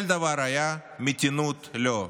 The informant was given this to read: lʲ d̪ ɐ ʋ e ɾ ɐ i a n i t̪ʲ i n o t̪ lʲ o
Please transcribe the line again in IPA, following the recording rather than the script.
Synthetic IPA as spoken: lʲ d̪ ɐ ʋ a ɾ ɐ j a m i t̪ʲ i n u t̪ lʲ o